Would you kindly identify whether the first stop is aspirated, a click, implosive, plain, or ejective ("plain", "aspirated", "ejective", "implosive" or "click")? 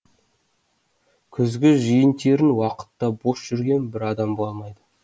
aspirated